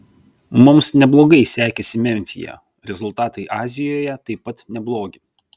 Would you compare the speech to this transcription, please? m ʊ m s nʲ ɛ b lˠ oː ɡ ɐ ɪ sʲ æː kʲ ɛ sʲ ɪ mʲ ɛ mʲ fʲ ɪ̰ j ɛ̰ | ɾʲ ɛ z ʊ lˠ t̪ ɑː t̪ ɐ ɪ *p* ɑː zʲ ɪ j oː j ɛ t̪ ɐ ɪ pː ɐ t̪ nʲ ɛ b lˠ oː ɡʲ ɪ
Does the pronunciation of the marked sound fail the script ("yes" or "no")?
yes